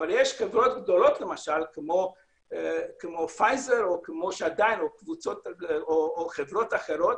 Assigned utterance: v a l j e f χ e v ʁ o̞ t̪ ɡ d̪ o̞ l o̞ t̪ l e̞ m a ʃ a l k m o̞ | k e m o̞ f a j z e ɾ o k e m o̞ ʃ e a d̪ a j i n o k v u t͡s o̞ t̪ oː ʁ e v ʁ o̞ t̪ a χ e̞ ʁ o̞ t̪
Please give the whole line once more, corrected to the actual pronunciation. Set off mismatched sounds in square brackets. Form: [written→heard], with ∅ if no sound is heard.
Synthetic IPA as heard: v a l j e [f→ʃ] χ e v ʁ o̞ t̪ ɡ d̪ o̞ l o̞ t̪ l e̞ m a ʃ a l k m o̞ | k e m o̞ f a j z e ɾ o k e m o̞ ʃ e a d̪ a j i n o k v u t͡s o̞ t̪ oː [ʁ→χ] e v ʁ o̞ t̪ a χ e̞ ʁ o̞ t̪